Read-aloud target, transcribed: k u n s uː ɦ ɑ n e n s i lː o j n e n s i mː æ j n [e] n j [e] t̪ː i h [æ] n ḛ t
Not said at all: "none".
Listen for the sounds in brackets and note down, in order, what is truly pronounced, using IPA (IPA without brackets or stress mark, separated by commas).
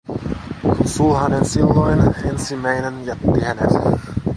e, æ, æ